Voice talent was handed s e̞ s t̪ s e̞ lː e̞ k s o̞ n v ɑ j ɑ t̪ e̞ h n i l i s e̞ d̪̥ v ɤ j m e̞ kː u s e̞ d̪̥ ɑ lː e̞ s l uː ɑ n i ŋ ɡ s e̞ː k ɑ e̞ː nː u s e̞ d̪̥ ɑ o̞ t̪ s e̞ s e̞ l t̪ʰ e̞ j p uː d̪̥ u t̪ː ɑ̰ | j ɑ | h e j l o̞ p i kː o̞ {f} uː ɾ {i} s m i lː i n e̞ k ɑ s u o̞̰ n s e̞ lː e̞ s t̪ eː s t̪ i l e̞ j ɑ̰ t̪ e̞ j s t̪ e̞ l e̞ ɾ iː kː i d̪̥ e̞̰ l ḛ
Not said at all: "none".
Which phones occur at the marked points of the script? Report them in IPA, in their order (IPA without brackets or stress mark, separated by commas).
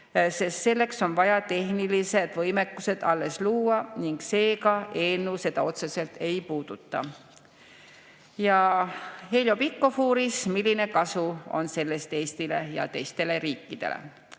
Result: f, i